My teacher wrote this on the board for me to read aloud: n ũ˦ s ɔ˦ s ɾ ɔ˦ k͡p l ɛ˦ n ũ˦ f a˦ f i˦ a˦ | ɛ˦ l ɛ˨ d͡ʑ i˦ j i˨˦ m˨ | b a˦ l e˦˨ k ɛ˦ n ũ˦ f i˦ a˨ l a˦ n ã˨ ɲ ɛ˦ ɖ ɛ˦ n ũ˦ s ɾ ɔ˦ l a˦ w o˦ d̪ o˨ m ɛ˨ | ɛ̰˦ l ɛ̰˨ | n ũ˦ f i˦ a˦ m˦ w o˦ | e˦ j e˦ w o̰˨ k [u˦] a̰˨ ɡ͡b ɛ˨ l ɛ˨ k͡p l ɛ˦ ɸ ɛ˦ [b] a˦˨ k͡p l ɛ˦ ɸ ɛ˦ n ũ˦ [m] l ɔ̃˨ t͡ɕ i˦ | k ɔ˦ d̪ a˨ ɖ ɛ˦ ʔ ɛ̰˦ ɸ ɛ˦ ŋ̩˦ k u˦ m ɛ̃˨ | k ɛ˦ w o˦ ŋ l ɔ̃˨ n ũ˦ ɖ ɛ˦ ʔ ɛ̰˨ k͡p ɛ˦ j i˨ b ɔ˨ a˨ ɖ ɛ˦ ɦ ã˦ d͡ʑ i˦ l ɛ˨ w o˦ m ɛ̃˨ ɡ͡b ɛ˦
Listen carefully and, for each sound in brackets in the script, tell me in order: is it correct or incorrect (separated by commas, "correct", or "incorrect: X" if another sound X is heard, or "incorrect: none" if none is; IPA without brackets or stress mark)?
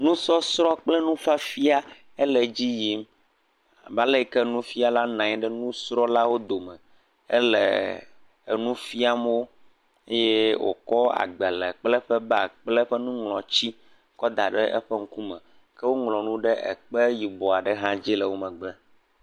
incorrect: ɔ˦, correct, incorrect: ŋ